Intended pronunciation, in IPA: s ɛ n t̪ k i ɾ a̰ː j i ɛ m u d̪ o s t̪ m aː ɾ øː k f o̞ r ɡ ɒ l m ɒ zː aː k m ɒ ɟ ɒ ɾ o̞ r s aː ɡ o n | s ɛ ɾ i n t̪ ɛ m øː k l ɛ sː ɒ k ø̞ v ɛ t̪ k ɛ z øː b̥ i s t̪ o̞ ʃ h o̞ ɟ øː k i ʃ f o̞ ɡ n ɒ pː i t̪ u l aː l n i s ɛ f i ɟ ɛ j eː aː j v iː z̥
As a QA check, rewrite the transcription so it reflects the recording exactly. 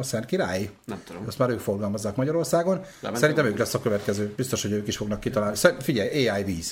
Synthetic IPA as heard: s ɛ n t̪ k i ɾ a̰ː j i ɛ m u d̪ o s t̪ m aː ɾ øː k f o̞ r ɡ ɒ l m ɒ zː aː k m ɒ ɟ ɒ ɾ o̞ r s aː ɡ o n | s ɛ ɾ i n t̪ ɛ m øː k l ɛ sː ɒ k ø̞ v ɛ t̪ k ɛ z øː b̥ i s t̪ o̞ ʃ h o̞ ɟ øː k i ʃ f o̞ ɡ n ɒ kː i t̪ ɒ l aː l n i s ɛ f i ɟ ɛ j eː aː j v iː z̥